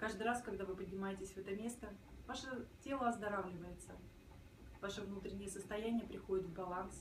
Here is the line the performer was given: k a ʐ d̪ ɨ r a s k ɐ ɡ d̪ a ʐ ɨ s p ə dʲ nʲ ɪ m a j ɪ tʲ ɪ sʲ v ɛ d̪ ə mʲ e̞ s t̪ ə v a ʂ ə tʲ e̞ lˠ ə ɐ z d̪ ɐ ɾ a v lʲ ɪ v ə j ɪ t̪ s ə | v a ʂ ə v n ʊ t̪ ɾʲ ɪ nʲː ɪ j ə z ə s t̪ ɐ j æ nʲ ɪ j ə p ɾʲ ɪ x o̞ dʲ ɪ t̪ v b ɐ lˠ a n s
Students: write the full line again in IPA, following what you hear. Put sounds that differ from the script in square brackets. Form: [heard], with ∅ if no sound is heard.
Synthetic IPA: k a ʐ d̪ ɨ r a s k ɐ ɡ d̪ a [v] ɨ [∅] p ə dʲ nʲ ɪ m a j ɪ tʲ ɪ sʲ v ɛ [t̪] ə mʲ e̞ s t̪ ə v a ʂ ə tʲ e̞ lˠ ə ɐ z d̪ ɐ ɾ a v lʲ ɪ v ə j ɪ t̪ s ə | v a ʂ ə v n [u] t̪ ɾʲ ɪ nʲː ɪ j ə [s] ə s t̪ ɐ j æ nʲ ɪ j ə p ɾʲ ɪ x o̞ dʲ ɪ t̪ v b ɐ lˠ a n s